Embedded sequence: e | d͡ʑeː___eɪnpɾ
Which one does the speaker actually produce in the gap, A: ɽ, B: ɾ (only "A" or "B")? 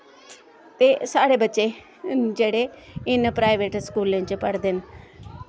A